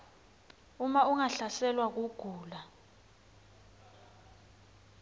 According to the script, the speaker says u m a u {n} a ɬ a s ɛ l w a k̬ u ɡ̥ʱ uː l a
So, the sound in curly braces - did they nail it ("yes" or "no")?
no